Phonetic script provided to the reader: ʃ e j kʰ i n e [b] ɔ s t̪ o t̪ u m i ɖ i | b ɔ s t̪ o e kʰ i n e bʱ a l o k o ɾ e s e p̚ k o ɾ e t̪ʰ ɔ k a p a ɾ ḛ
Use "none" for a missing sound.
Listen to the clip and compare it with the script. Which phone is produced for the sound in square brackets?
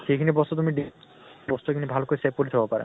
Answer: b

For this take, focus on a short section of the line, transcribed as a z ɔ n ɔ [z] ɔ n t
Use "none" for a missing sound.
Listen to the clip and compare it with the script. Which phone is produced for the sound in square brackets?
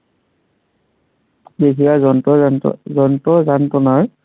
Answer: z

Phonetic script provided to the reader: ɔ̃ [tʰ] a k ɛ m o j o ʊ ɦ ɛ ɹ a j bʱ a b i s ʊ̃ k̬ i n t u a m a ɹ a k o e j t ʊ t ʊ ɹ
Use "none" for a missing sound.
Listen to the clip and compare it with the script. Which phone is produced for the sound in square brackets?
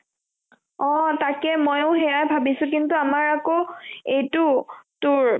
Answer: t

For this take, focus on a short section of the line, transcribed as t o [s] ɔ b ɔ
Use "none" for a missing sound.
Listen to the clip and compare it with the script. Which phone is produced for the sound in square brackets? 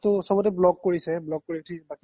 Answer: s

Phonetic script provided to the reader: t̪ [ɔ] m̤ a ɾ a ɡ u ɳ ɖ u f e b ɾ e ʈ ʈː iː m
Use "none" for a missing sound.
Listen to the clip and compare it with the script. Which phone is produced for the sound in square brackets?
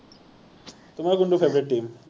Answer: u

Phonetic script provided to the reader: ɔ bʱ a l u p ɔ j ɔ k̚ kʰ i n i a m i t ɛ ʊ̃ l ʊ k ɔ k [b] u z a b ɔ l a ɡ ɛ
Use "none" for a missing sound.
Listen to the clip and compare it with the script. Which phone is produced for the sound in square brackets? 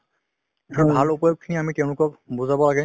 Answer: b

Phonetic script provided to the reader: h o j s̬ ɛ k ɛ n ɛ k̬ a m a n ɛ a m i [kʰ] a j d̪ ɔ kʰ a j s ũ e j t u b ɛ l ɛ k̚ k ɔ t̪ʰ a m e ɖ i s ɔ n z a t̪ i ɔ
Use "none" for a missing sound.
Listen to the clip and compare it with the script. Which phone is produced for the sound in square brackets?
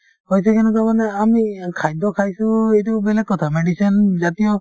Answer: kʰ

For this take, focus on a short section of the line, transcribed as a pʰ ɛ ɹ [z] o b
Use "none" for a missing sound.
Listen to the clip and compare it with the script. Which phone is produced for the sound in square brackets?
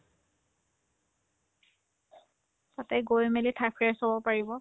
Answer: s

